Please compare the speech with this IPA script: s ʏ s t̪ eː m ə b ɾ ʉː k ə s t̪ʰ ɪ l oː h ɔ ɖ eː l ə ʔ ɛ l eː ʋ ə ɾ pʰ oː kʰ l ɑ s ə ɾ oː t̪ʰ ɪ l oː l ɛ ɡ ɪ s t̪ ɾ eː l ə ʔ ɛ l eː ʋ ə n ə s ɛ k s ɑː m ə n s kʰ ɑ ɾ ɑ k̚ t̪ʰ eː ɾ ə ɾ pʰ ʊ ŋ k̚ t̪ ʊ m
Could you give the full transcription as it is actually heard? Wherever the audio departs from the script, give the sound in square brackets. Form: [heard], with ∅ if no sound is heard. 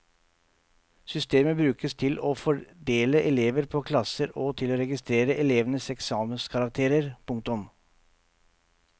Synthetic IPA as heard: s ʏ s t̪ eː m ə b ɾ ʉː k ə s t̪ʰ ɪ l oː [f] ɔ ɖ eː l ə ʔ ɛ l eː ʋ ə ɾ pʰ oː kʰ l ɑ s ə ɾ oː t̪ʰ ɪ l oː [ɾ] ɛ ɡ ɪ s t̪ ɾ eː [ɾ] ə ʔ ɛ l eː ʋ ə n ə s ɛ k s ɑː m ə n s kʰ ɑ ɾ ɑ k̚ t̪ʰ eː ɾ ə ɾ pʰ ʊ ŋ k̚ t̪ ʊ m